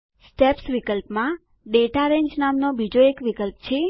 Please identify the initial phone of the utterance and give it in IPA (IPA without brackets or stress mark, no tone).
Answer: s